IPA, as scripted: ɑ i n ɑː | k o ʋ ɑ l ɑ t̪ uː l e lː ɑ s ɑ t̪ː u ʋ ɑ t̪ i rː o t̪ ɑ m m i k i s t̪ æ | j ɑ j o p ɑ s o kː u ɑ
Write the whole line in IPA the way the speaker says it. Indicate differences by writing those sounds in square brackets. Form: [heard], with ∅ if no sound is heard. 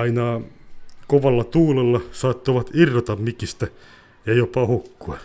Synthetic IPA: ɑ i n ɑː | k o ʋ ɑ [lː] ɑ t̪ uː l e lː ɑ s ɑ t̪ː [o] ʋ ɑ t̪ i rː o t̪ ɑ m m i k i s t̪ æ | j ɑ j o p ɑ [h] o kː u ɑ